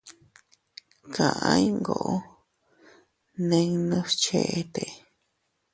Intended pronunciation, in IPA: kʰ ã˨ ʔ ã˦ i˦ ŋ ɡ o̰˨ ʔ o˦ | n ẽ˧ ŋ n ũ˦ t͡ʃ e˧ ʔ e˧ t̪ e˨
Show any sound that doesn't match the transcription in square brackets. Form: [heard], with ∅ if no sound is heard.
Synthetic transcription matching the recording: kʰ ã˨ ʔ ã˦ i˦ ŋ ɡ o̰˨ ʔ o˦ | n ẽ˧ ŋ n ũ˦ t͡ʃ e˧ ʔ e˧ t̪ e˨